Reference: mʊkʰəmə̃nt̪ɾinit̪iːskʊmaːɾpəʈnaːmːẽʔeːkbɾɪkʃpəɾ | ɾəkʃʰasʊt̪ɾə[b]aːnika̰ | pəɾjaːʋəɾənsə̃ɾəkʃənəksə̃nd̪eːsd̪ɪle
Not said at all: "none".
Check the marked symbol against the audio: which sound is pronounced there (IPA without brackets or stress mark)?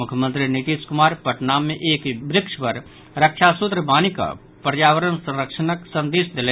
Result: b